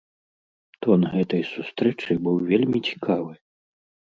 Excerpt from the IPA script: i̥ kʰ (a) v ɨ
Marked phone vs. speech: correct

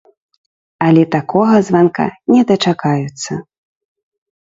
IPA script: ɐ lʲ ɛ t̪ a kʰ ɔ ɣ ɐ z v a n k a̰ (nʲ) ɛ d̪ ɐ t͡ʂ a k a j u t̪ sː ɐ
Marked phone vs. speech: correct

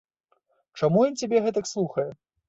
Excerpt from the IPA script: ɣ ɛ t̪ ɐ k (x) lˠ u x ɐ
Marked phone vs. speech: incorrect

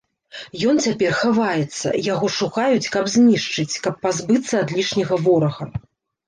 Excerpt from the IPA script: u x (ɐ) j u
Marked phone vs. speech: incorrect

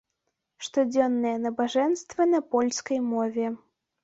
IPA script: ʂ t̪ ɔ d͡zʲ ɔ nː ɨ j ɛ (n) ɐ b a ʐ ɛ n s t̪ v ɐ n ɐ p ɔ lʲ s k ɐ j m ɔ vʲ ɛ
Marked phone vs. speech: correct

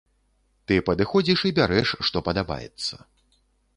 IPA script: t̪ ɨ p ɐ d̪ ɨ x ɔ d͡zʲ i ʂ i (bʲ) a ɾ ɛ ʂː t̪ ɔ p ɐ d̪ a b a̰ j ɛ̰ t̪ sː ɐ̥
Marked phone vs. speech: correct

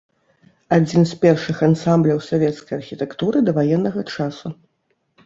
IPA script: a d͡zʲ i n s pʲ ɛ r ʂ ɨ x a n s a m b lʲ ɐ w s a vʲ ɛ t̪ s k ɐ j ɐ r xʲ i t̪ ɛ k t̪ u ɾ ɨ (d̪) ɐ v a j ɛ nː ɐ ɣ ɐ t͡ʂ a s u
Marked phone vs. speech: correct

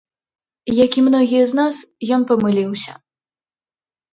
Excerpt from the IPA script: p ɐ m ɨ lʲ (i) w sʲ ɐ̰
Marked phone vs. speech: correct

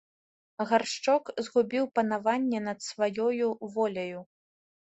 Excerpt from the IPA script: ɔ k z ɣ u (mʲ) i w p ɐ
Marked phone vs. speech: incorrect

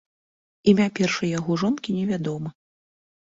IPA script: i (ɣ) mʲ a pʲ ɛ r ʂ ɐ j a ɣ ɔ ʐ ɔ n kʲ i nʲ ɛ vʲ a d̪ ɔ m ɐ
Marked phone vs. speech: incorrect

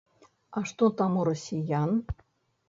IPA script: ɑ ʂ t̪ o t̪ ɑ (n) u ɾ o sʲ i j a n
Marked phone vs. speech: incorrect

